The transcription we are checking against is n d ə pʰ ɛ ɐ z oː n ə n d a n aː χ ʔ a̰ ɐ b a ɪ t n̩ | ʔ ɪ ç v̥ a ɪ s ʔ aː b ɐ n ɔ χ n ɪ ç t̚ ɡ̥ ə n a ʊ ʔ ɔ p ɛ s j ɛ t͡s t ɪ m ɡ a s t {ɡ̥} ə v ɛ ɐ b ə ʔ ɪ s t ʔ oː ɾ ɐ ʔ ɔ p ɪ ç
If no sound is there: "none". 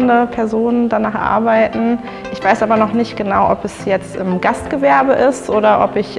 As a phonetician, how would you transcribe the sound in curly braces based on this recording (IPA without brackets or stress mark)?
ɡ̥